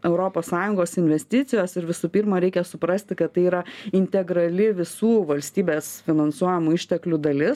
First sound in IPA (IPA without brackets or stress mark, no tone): ɛ